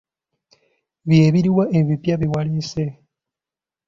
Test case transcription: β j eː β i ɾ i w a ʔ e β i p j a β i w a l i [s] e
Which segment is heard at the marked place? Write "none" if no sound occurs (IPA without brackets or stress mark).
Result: s